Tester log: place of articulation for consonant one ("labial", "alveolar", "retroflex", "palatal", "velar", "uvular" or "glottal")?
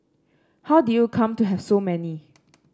glottal